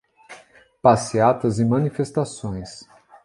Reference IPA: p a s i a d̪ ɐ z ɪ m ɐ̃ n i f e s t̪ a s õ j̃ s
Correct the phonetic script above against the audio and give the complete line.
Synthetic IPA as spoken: p a s i a t̪ ɐ z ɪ m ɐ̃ n i f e s t̪ a s õ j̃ s